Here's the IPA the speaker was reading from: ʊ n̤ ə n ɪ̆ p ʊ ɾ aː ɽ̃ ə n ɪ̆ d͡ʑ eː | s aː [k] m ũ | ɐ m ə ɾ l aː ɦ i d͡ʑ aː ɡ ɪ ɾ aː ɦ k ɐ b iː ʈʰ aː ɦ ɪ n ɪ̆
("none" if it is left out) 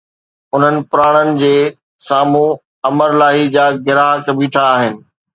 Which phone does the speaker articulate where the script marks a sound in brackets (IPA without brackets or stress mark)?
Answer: none